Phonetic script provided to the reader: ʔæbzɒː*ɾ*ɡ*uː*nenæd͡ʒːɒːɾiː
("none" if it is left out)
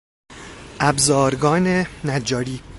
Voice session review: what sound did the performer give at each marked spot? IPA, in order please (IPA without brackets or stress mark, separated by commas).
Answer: ɾ, ɒː